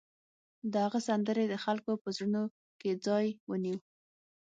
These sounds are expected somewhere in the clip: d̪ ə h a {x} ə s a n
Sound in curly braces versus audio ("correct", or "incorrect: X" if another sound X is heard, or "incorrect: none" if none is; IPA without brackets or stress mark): incorrect: ɣ